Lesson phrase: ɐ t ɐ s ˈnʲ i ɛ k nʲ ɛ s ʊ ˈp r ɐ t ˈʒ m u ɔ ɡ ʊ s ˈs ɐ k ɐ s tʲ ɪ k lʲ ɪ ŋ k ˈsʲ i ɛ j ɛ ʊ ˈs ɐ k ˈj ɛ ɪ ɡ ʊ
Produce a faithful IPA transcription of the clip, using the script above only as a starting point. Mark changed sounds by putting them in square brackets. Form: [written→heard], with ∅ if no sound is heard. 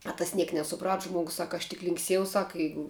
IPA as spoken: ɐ t ɐ s ˈnʲ i ɛ k nʲ ɛ s ʊ ˈp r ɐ t ˈʒ m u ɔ ɡ ʊ s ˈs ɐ k ɐ [s→ʃ] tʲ ɪ k lʲ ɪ ŋ k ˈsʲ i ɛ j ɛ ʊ ˈs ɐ k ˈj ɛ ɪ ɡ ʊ